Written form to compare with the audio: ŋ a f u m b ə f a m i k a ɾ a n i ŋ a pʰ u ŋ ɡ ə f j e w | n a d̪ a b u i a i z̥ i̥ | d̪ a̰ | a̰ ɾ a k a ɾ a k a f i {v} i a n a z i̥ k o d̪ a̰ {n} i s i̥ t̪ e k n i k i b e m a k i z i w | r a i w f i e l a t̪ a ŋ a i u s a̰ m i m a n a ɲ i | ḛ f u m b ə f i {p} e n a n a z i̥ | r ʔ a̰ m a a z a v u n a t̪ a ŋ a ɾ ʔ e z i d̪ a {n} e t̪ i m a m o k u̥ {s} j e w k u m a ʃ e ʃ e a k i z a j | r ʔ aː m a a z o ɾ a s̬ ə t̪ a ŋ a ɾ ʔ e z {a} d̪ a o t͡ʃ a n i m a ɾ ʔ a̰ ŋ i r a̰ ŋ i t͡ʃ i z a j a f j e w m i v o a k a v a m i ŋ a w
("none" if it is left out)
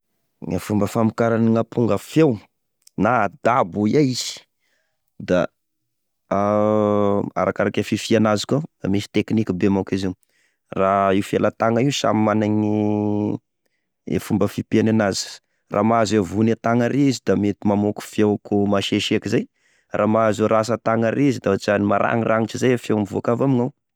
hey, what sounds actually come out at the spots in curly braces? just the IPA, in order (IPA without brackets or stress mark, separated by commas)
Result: f, m, p, m, f, i